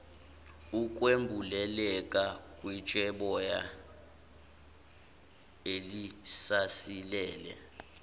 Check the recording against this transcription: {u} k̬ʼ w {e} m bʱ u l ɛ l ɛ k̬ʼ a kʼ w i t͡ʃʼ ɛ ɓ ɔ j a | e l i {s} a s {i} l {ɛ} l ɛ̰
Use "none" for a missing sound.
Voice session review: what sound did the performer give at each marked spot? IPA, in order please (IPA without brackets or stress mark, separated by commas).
u, e, s, i, ɛː